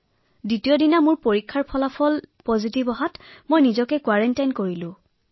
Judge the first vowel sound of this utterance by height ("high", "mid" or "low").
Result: high